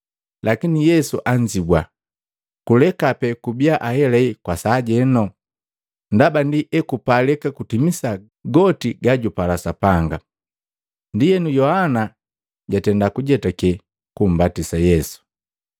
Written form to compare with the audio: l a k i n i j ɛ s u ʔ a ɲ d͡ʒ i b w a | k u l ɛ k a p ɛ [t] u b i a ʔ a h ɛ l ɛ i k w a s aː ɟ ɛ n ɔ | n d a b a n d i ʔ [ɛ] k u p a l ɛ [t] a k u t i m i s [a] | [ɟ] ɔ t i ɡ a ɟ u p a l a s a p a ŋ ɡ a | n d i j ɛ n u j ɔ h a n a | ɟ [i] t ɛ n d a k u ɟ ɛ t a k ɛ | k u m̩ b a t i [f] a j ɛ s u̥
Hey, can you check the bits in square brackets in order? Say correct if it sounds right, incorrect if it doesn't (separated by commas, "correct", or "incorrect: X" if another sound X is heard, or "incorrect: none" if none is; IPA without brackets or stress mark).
incorrect: k, correct, incorrect: k, correct, incorrect: ɡ, incorrect: a, incorrect: s